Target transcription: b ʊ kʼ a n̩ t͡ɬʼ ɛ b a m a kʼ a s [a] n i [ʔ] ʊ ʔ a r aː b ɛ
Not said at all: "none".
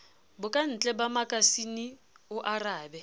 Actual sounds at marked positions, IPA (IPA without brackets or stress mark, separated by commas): i, none